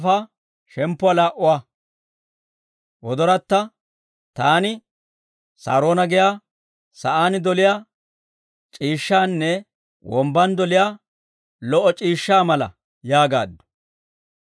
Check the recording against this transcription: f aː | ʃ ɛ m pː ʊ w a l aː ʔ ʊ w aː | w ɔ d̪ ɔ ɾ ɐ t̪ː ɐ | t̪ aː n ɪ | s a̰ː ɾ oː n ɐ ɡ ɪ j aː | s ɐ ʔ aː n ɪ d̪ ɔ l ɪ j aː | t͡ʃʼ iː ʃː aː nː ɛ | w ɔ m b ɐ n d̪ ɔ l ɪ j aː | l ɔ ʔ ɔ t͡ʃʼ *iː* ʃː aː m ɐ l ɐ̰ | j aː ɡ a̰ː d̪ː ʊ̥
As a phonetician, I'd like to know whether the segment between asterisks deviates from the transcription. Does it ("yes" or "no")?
no